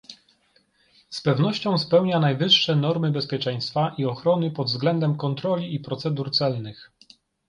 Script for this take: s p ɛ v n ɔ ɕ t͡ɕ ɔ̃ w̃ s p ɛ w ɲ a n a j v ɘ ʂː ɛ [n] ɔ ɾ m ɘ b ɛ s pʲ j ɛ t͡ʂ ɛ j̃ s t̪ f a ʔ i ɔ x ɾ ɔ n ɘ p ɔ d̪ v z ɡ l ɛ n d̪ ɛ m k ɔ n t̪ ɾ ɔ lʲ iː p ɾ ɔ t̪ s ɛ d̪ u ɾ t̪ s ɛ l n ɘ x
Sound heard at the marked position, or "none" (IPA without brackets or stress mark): n